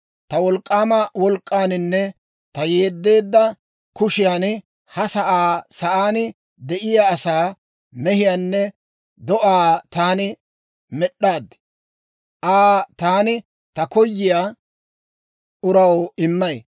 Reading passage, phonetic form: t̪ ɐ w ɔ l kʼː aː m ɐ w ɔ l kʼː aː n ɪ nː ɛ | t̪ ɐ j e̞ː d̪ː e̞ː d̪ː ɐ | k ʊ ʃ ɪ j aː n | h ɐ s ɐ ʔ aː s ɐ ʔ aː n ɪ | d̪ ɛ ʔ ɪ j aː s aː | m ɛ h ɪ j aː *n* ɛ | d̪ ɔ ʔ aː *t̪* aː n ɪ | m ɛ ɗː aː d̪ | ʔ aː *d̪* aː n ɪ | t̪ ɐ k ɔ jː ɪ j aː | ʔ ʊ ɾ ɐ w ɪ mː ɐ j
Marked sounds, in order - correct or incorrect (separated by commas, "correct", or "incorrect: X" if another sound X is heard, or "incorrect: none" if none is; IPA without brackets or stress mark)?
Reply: incorrect: nː, correct, incorrect: t̪